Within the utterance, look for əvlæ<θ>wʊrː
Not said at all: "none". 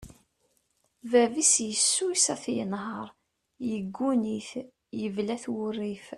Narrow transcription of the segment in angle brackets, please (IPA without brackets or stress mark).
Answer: θ